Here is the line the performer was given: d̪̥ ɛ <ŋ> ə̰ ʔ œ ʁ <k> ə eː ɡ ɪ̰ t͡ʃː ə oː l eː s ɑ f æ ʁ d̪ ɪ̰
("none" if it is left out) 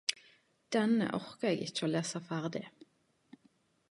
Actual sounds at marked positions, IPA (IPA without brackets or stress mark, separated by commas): n, k